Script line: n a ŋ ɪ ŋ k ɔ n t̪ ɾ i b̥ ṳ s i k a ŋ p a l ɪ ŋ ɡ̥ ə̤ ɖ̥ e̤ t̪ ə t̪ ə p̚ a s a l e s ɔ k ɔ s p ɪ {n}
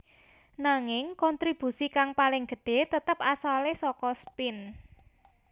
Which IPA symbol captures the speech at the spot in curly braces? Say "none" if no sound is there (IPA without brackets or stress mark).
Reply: n